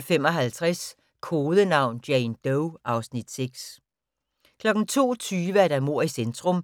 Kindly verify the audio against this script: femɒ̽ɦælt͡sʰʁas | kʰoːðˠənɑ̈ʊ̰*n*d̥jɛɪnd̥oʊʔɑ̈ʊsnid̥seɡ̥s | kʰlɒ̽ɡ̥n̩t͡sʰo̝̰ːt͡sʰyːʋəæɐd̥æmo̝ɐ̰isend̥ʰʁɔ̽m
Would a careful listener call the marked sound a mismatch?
no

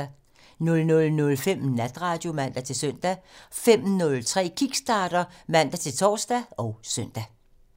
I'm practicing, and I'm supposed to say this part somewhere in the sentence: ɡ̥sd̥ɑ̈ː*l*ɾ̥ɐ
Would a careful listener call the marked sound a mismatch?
yes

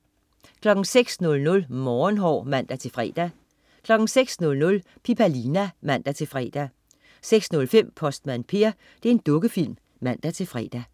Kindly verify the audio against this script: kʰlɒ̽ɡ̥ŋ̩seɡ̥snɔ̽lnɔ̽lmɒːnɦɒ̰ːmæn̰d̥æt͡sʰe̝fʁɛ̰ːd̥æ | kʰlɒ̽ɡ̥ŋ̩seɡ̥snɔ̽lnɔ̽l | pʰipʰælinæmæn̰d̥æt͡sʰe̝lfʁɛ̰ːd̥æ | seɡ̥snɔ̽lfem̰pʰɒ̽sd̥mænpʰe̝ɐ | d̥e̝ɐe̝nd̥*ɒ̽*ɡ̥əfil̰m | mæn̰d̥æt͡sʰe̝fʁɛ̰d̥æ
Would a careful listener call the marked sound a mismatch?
yes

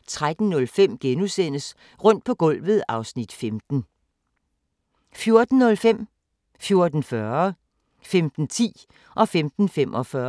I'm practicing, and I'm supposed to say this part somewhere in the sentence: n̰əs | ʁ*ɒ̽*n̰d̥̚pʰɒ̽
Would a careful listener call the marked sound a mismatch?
yes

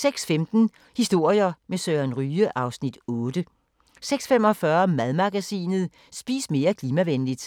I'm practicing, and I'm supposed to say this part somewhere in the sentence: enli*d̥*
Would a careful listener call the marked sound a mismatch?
no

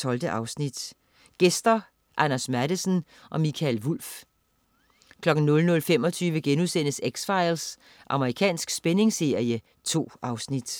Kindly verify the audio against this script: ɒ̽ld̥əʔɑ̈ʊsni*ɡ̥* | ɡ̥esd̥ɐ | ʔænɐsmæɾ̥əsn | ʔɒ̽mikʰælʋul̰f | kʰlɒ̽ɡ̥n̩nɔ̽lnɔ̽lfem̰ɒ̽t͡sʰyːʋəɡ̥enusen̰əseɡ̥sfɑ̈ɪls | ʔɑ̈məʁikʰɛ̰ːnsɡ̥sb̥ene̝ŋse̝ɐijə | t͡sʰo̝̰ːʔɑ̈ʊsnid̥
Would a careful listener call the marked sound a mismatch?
yes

